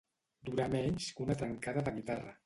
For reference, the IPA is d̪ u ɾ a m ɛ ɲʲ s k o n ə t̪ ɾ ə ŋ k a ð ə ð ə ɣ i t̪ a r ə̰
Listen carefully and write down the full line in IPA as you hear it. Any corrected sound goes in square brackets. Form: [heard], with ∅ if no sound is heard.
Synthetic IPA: d̪ u ɾ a m ɛ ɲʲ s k [u] n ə t̪ ɾ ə ŋ k a ð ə ð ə ɣ i t̪ a r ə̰